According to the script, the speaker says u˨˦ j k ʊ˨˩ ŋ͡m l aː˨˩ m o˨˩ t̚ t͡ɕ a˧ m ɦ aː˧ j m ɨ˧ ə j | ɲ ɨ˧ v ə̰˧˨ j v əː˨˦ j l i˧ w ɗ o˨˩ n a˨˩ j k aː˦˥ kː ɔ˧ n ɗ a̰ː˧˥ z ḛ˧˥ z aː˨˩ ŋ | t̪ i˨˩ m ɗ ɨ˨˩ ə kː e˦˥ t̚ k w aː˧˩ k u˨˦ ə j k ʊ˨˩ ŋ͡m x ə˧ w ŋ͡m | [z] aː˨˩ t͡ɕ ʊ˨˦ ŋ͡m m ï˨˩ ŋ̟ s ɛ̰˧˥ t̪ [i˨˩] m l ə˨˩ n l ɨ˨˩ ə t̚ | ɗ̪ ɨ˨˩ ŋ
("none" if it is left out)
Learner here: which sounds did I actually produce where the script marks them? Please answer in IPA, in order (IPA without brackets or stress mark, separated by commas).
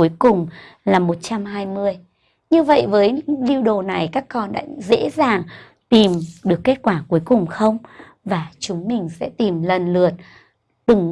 v, i˨˩